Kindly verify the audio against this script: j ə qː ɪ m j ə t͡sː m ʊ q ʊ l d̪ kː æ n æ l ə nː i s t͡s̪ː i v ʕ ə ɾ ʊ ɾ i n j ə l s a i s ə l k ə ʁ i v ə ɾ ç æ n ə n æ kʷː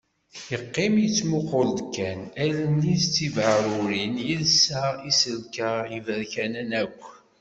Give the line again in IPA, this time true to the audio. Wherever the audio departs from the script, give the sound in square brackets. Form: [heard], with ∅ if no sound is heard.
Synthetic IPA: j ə qː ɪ m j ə t͡sː m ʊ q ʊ l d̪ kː æ n æ l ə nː i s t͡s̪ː i v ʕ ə ɾ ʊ ɾ i n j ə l s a i s ə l k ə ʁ i v ə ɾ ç æ n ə n æ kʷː